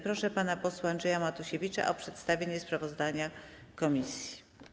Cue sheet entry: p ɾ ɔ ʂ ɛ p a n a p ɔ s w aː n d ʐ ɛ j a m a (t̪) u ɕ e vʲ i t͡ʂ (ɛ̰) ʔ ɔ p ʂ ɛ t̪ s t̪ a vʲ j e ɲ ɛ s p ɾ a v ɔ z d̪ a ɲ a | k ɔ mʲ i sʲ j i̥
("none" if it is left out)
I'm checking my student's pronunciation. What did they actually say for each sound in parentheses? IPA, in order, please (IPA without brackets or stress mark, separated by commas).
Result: t̪, a̰